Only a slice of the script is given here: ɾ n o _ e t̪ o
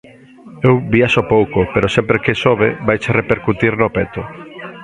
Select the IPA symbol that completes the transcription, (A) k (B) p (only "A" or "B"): B